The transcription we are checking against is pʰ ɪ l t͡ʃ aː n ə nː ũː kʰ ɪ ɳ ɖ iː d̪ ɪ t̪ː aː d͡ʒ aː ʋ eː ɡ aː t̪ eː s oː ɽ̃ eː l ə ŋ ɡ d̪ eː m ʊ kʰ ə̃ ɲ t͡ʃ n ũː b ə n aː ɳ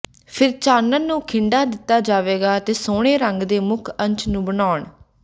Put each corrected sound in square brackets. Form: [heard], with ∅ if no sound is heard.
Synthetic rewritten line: pʰ ɪ [ɾ] t͡ʃ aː n ə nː ũː kʰ ɪ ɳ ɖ [aː] d̪ ɪ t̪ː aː d͡ʒ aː ʋ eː ɡ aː t̪ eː s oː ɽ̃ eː [ɾ] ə ŋ ɡ d̪ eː m ʊ kʰ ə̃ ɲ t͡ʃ n ũː b ə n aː ɳ